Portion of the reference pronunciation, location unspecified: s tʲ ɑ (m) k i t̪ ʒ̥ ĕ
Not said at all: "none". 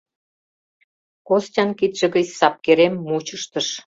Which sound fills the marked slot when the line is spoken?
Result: n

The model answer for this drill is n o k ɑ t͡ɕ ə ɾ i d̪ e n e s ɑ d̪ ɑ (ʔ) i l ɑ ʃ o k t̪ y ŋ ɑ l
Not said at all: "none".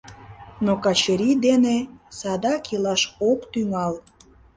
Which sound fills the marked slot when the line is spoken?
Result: k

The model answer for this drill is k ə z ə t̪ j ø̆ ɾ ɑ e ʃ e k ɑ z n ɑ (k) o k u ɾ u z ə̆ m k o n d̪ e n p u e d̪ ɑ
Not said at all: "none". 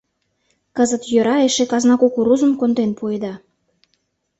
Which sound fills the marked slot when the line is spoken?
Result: k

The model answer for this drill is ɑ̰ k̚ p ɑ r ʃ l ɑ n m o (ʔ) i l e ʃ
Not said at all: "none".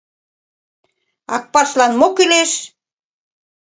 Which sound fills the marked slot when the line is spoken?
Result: k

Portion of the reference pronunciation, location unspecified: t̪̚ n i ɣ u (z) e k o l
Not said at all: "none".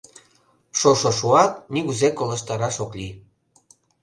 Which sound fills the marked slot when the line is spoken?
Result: z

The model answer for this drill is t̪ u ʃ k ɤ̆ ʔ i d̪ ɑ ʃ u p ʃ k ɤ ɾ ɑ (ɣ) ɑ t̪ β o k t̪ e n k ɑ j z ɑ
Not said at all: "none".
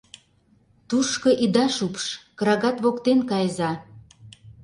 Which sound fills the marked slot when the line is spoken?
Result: ɣ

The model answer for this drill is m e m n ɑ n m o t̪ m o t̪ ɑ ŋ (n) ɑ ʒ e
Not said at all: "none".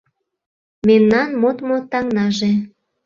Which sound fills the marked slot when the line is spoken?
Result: n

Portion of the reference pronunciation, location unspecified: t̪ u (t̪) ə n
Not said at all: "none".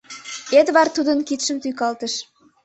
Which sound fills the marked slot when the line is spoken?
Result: d̪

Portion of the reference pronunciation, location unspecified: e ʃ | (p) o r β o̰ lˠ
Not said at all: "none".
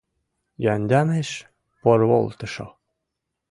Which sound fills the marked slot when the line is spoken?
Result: p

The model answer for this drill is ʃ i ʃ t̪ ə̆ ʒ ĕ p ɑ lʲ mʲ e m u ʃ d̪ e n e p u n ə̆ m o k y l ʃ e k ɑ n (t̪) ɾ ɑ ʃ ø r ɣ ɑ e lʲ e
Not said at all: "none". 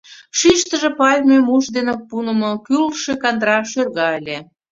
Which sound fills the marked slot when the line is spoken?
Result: d̪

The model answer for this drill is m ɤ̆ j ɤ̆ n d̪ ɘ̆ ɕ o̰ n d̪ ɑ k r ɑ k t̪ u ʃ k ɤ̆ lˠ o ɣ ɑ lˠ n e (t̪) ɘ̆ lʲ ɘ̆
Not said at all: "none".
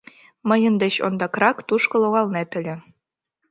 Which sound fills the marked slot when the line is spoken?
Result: t̪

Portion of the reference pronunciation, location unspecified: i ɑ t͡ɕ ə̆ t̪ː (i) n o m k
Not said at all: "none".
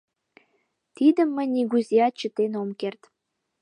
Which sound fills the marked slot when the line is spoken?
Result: e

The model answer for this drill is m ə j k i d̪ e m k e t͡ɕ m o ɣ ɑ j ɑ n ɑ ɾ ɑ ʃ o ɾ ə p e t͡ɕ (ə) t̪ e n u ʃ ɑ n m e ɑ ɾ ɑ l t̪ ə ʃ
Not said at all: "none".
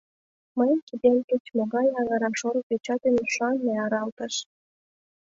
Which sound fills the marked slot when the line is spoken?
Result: ɑ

